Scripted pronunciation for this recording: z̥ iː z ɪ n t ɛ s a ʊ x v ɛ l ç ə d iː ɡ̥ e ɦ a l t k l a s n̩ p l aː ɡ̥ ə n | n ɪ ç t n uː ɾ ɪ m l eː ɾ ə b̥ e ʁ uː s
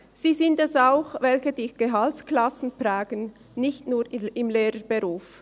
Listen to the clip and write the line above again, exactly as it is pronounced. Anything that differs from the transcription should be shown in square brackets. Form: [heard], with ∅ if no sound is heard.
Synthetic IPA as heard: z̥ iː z ɪ n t ɛ s a ʊ x v ɛ l ç ə d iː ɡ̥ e ɦ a l t k l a s n̩ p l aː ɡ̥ ə n | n ɪ ç t n uː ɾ ɪ m l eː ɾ ə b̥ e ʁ uː [f]

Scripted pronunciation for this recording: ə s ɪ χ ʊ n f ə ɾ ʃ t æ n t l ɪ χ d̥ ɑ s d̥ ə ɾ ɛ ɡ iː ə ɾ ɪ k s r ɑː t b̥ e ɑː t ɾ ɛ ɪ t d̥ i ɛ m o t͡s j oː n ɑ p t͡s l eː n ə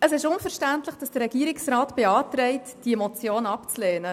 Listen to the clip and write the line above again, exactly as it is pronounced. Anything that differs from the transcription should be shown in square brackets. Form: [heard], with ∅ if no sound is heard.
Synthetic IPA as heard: ə s ɪ [ʃ] ʊ n f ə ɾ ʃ t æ n t l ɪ χ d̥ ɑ s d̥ ə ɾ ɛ ɡ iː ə ɾ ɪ k s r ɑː t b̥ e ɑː t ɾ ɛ ɪ t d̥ i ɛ m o t͡s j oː n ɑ p t͡s l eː n ə

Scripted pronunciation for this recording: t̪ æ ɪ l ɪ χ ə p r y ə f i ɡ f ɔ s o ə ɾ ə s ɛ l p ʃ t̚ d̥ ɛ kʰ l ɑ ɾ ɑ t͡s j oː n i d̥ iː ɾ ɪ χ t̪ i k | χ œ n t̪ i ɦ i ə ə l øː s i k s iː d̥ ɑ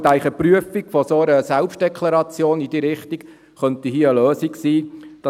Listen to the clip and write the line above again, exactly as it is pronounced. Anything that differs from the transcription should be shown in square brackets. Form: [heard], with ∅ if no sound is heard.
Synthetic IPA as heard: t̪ æ ɪ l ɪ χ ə p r y ə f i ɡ f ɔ s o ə ɾ ə s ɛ l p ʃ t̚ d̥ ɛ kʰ l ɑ ɾ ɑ t͡s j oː n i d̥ iː ɾ ɪ χ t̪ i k | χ œ n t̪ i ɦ i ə ə l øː s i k s iː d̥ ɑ

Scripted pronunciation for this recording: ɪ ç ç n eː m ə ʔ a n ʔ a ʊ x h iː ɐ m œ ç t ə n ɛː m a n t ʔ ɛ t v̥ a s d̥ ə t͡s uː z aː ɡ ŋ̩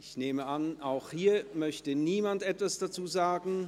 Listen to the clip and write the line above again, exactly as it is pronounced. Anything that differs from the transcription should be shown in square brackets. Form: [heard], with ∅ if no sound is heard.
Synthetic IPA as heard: ɪ ç ç n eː m ə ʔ a n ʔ a ʊ x h iː ɐ m œ ç t ə n [iː] m a n t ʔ ɛ t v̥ a s d̥ [a] t͡s uː z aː ɡ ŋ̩

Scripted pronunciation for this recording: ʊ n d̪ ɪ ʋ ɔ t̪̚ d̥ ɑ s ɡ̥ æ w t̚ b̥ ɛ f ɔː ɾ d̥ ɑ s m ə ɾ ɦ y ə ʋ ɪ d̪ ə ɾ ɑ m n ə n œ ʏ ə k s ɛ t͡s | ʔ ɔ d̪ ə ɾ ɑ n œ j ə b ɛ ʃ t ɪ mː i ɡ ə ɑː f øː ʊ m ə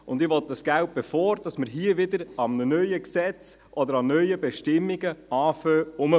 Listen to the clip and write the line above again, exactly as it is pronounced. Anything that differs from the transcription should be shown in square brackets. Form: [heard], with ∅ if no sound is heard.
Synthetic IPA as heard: ʊ n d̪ ɪ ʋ ɔ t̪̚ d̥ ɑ s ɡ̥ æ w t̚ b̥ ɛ f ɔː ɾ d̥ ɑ s m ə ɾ ɦ [i] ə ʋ ɪ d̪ ə ɾ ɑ m n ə n œ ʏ ə k s ɛ t͡s | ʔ ɔ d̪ ə ɾ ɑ n œ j ə b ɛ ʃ t ɪ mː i ɡ ə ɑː f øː ʊ m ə

